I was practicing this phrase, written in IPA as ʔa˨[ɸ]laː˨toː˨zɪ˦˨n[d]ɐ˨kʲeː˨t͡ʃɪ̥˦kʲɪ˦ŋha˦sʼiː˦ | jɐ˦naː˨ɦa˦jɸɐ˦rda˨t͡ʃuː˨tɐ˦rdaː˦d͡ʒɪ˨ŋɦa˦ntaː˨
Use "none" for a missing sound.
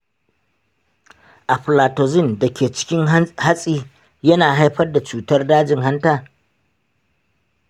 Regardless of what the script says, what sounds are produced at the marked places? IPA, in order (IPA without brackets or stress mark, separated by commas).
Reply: ɸ, d